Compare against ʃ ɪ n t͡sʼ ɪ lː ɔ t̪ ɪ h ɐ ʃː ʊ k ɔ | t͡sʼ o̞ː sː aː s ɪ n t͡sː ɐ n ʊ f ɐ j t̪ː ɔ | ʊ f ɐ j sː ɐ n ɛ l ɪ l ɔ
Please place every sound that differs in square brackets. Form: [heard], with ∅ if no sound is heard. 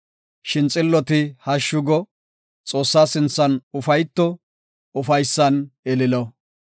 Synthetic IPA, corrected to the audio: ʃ ɪ n t͡sʼ ɪ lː ɔ t̪ ɪ h ɐ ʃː ʊ [ɡ] ɔ | t͡sʼ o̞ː sː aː s ɪ n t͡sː ɐ n ʊ f ɐ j t̪ː ɔ | ʊ f ɐ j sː ɐ n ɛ l ɪ l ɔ